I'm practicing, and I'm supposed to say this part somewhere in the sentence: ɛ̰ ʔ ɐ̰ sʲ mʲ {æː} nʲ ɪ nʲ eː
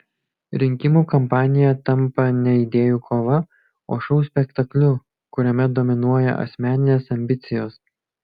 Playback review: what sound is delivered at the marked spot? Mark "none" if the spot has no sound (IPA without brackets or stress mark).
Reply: æː